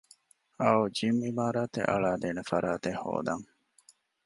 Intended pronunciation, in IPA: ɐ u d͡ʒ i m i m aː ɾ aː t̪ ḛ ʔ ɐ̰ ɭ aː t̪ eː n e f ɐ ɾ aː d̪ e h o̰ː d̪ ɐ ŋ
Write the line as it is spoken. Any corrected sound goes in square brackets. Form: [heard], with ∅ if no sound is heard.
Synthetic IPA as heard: ɐ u d͡ʒ i m i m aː ɾ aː t̪ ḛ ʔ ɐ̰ ɭ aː [d̪] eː n e f ɐ ɾ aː [t̪] e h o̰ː d̪ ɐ ŋ